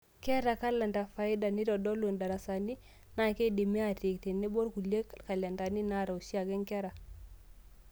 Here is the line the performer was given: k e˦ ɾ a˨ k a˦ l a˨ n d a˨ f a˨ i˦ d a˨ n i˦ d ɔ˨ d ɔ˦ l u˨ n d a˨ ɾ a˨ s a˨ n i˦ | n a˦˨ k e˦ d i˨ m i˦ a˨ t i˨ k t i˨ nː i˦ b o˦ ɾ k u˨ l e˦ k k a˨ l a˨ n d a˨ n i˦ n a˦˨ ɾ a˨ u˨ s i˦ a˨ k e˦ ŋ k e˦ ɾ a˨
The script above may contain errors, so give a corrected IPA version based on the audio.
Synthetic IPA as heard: k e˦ ɾ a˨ k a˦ l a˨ n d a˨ f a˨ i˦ d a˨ n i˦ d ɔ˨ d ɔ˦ l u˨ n d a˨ ɾ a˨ s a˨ n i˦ | n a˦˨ k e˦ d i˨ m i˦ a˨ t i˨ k t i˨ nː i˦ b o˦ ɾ k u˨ l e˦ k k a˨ l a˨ n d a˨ n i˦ n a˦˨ ɾ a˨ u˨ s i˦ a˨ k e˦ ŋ k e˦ ɾ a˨